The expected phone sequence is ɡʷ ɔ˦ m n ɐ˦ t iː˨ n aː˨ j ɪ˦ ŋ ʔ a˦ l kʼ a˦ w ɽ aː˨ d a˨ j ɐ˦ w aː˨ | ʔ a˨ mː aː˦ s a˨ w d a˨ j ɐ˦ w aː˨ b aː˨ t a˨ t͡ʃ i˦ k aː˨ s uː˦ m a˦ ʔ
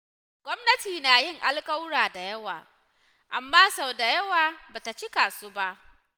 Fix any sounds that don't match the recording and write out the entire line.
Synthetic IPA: ɡʷ ɔ˦ m n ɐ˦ t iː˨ n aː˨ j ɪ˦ ŋ ʔ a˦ l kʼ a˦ w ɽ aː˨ d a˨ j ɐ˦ w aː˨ | ʔ a˨ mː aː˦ s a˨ w d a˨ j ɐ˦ w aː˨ b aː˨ t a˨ t͡ʃ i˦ k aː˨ s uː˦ b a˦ ʔ